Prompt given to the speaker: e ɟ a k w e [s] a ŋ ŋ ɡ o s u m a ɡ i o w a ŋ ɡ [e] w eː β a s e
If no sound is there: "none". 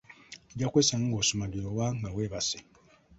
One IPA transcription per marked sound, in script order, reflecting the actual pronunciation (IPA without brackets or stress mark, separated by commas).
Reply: s, a